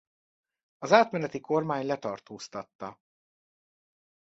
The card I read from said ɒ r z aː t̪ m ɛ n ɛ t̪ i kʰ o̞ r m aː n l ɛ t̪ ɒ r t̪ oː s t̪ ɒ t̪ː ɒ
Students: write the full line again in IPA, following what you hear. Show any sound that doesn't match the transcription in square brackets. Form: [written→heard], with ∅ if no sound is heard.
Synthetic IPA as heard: ɒ [r→∅] z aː t̪ m ɛ n ɛ t̪ i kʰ o̞ r m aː [n→ɲ] l ɛ t̪ ɒ r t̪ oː s t̪ ɒ t̪ː ɒ